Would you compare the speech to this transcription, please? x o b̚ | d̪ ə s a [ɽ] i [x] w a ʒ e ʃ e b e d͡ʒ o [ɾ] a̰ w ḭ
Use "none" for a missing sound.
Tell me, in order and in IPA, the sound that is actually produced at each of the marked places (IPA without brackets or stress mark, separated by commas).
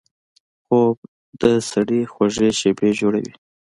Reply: ɽ, x, ɽ